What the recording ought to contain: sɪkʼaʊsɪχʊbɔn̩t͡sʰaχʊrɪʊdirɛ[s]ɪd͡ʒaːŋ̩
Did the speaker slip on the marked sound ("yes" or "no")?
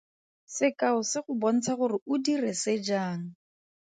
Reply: no